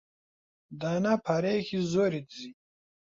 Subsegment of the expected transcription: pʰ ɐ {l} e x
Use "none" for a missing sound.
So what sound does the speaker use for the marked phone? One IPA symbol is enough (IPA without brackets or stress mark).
ɾ